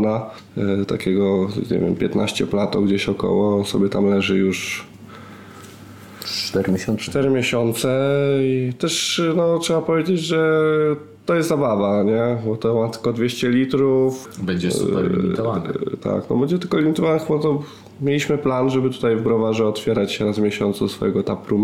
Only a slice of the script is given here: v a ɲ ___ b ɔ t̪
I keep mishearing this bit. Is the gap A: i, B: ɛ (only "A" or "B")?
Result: B